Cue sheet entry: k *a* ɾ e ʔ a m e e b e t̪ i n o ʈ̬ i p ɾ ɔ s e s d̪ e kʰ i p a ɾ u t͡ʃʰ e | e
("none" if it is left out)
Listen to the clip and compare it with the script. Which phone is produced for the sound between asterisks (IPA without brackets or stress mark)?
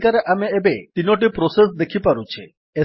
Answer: a